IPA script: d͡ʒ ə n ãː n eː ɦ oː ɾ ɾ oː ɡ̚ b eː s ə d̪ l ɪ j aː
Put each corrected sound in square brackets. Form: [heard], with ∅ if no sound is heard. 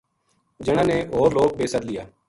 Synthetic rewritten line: d͡ʒ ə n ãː n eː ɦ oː ɾ [l] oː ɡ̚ b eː s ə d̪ l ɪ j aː

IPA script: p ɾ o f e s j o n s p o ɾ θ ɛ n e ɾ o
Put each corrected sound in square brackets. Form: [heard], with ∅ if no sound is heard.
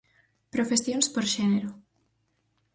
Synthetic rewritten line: p ɾ o f e s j o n s p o ɾ [ʃ] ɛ n e ɾ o

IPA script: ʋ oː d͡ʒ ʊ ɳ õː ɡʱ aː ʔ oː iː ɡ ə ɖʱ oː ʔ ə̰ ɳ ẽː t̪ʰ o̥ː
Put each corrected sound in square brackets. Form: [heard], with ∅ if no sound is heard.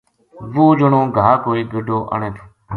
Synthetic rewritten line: ʋ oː d͡ʒ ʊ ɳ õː ɡʱ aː [k] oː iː ɡ ə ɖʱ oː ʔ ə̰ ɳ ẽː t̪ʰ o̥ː

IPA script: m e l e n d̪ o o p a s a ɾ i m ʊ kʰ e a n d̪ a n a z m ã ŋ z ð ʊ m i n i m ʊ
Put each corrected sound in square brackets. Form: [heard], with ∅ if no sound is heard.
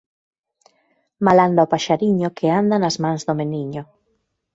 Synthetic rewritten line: m [a] l [a] n d̪ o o p a [ʃ] a ɾ i [ɲ] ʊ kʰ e a n d̪ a n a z m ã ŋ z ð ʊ m [e] n i [ɲ] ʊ

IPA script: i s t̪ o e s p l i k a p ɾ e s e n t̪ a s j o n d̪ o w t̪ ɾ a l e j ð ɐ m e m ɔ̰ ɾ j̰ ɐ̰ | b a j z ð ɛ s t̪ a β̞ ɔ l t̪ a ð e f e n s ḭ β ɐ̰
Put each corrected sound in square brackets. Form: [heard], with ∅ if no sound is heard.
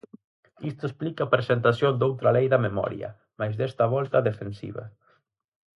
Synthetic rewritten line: i s t̪ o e s p l i k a p ɾ e s e n t̪ a s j o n d̪ o w t̪ ɾ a l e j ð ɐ m e m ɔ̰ ɾ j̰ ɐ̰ | [m] a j z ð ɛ s t̪ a β̞ ɔ l t̪ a ð e f e n s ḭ β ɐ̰

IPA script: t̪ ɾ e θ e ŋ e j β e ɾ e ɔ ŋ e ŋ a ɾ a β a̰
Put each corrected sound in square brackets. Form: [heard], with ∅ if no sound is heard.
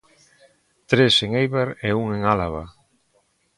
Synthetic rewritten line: t̪ ɾ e [s] e ŋ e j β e ɾ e [u] ŋ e ŋ a [l] a β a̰

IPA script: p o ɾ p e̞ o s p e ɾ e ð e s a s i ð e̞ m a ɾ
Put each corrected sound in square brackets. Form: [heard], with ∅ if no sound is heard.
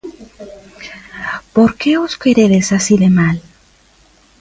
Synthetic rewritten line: p o ɾ [k] e̞ o s [k] e ɾ e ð e s a s i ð e̞ m a [l]

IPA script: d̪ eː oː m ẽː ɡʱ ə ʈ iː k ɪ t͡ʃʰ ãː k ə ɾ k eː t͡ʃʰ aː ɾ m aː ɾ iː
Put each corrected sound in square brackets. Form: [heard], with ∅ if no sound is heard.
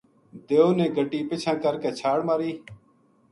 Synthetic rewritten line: d̪ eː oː [n] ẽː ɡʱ ə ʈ iː [p] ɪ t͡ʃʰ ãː k ə ɾ k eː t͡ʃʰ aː [ɽ] m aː ɾ iː

